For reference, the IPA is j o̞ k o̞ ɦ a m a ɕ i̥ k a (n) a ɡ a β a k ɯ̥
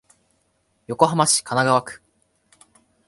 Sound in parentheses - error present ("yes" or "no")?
no